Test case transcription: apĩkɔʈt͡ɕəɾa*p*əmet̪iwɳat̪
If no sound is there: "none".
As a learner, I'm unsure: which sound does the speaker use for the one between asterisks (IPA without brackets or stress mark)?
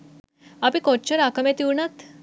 k